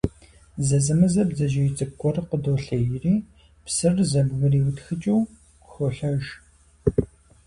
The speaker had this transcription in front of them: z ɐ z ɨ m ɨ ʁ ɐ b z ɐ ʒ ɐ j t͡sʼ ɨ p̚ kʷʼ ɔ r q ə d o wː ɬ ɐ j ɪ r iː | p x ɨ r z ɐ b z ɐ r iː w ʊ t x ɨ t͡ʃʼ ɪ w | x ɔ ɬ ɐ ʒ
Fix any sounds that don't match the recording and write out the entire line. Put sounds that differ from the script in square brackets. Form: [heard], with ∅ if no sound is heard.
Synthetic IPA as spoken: z ɐ z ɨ m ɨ [z] ɐ b z ɐ ʒ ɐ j t͡sʼ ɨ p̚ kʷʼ ɔ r q ə d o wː ɬ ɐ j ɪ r iː | p [s] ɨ r z ɐ b [ɣ] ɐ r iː w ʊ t x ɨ t͡ʃʼ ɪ w | x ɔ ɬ ɐ ʒ